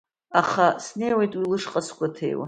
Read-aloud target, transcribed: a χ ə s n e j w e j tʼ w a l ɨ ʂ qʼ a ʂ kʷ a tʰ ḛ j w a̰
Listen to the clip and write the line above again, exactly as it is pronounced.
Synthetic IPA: a χ a s n e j w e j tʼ w i l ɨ ʂ qʼ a s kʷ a tʰ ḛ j w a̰